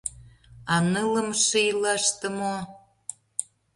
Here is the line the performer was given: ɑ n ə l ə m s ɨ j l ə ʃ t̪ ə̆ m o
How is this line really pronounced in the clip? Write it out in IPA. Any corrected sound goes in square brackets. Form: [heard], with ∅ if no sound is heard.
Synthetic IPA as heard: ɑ n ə l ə m [ʃ] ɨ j l [ɑ] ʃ t̪ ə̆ m o